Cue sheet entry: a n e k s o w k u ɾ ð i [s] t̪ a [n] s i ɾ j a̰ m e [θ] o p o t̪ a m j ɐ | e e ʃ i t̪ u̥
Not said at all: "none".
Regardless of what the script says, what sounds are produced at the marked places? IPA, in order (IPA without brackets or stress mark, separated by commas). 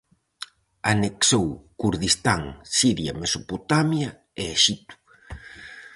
s, ŋ, s